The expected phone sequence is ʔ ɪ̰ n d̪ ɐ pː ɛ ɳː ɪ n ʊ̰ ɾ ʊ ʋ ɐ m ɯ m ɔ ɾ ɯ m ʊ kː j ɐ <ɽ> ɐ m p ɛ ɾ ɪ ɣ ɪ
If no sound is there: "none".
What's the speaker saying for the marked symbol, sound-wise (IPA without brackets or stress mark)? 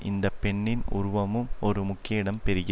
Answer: ɽ